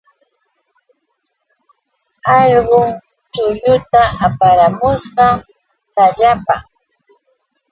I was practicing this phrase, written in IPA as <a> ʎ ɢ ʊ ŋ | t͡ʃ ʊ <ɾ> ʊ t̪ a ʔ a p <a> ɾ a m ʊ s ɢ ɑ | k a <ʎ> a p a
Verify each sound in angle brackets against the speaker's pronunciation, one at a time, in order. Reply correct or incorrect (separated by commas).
incorrect, incorrect, correct, correct